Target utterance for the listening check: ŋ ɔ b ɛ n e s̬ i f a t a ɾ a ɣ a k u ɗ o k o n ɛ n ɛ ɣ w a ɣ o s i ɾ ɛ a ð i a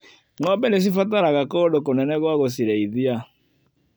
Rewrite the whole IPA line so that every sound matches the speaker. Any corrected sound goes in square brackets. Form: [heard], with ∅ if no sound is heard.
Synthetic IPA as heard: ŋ ɔ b ɛ n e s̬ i f a t a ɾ a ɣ a k [ɔ] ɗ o k o n ɛ n ɛ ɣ w a ɣ o s i ɾ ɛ [i] ð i a